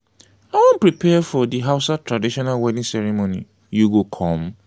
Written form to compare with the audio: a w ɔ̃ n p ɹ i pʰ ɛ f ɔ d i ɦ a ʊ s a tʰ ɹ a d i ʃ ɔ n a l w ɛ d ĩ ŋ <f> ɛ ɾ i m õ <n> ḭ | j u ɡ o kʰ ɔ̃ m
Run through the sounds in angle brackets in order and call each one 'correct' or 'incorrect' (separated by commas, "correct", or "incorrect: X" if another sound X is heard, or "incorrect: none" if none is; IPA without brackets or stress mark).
incorrect: s, correct